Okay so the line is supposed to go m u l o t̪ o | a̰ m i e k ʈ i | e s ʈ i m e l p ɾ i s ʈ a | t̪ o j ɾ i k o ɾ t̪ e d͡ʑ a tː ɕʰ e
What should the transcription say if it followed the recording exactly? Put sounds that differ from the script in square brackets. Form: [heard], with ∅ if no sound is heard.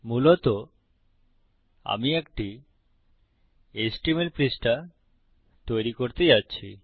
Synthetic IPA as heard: m u l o t̪ o | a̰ m i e k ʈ i | e s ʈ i m e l p ɾ i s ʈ a | t̪ o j ɾ i k o ɾ t̪ e d͡ʑ a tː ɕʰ [i]